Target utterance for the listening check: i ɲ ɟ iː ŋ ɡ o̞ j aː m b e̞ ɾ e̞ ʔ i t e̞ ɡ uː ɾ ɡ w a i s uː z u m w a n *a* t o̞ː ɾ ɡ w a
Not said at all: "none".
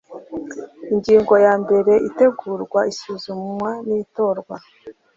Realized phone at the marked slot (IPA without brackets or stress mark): i